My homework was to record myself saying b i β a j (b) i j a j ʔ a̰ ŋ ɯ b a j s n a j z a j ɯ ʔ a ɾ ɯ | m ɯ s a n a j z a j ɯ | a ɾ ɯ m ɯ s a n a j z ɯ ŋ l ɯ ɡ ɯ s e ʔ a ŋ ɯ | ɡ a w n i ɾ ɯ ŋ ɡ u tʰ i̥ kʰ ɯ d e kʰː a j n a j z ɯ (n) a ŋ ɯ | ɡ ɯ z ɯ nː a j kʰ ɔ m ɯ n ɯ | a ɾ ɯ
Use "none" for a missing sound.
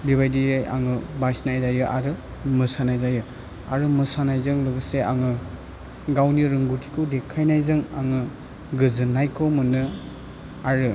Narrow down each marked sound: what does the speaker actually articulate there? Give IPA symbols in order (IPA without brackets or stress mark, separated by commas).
d, ŋ